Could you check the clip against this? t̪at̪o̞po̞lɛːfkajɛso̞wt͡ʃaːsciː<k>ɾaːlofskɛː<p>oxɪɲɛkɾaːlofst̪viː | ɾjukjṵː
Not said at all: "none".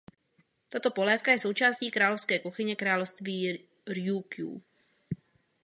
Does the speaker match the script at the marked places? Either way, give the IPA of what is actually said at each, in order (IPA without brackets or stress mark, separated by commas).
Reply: k, k